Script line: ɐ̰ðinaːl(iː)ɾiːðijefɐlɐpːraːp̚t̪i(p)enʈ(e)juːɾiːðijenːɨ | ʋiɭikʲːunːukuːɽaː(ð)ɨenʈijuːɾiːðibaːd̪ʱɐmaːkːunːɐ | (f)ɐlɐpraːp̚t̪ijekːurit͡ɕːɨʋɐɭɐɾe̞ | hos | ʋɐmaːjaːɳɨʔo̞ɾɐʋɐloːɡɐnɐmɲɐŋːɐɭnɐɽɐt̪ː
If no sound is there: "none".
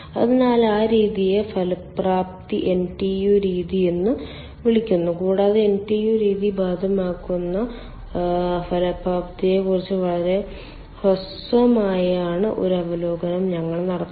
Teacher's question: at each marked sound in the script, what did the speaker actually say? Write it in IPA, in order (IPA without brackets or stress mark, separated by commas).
aː, ʔ, i, ð, f